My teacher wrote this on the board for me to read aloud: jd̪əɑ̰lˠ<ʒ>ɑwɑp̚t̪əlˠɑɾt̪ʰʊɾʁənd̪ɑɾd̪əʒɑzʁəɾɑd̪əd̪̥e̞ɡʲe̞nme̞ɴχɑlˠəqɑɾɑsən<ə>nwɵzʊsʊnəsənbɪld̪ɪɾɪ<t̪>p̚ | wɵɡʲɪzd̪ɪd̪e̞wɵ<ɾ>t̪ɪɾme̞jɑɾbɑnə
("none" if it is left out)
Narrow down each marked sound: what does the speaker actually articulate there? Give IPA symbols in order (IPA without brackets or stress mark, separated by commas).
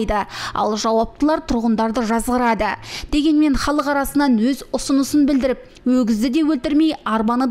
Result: ʒ, ɑ, none, l